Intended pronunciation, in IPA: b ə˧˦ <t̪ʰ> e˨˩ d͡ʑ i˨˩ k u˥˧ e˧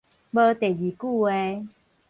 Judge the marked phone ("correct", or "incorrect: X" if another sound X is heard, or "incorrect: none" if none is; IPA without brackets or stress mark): incorrect: t̪